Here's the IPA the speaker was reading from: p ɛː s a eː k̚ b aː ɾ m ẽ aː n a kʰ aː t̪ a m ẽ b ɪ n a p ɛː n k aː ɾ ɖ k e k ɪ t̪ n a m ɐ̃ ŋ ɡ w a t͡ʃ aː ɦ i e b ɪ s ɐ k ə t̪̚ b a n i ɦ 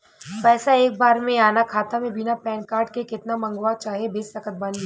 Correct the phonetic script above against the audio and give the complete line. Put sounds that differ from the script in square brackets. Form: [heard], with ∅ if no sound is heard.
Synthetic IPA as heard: p ɛː s a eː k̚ b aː ɾ m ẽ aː n a kʰ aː t̪ a m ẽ b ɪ n a p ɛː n k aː ɾ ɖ k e k ɪ t̪ n a m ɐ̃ ŋ ɡ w a t͡ʃ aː ɦ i e b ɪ s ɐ k ə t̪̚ b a n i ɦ

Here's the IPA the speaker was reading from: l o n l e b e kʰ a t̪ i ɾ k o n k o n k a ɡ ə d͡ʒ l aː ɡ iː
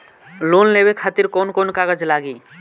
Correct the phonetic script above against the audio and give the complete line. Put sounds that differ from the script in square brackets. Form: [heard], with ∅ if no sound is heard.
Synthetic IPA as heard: l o n l e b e kʰ a t̪ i ɾ k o n k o n k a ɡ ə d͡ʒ l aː ɡ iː

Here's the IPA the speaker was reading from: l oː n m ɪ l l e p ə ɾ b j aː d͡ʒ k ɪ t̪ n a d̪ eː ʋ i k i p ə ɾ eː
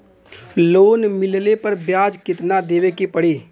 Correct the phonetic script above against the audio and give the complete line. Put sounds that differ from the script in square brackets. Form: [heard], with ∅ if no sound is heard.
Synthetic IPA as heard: l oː n m ɪ l l e p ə ɾ b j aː d͡ʒ k ɪ t̪ n a d̪ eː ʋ [e] k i p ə [ɽ] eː

